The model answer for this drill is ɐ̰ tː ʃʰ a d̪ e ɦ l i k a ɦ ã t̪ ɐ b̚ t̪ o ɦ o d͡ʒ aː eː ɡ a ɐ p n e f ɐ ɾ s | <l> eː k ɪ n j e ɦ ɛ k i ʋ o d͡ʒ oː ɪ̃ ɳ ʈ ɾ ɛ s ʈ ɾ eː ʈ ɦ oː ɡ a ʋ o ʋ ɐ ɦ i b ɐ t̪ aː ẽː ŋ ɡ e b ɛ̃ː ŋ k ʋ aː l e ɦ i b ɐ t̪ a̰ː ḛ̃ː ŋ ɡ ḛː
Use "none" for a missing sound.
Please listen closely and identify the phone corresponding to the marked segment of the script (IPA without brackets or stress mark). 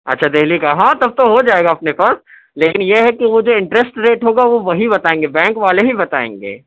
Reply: l